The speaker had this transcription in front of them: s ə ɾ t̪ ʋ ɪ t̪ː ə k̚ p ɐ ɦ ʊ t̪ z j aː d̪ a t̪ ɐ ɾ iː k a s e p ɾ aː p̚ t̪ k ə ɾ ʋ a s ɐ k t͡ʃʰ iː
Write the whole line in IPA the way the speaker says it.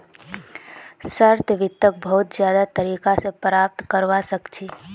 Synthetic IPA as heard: s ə ɾ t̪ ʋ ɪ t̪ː ə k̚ b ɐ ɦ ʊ t̪ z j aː d̪ a t̪ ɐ ɾ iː k a s e p ɾ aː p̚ t̪ k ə ɾ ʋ a s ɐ k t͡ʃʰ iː